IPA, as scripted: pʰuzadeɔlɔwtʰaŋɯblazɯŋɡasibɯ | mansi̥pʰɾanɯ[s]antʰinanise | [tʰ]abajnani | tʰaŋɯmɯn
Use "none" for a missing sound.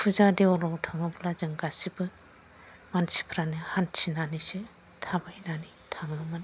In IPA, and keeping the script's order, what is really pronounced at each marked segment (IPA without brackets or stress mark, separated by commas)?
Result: h, tʰ